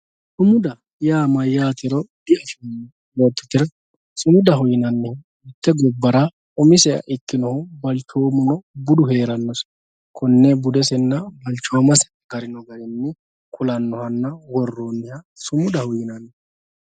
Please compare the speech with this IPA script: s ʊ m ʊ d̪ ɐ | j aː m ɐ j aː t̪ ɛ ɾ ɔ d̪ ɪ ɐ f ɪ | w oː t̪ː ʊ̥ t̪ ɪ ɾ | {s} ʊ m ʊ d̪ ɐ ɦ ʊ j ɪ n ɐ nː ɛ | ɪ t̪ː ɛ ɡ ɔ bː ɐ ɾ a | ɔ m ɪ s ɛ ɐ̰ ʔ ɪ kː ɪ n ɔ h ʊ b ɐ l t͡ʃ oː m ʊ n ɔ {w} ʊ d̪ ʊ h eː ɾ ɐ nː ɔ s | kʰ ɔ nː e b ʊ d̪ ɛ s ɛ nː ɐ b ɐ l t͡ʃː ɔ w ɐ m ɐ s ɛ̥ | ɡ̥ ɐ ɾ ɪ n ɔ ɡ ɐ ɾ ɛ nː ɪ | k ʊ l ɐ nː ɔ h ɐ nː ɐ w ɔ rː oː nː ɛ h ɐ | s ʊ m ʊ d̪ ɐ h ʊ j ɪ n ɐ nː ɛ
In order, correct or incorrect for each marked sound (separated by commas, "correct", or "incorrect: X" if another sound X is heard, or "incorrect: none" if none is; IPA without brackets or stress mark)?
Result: correct, incorrect: b